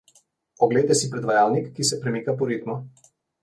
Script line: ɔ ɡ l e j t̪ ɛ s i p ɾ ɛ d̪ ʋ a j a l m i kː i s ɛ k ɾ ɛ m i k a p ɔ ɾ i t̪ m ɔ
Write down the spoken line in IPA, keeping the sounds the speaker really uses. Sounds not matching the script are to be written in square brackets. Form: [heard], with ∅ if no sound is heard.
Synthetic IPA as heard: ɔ ɡ l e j t̪ ɛ s i p ɾ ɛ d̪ ʋ a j a l [n] i kː i s ɛ [p] ɾ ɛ m i k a p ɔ ɾ i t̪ m ɔ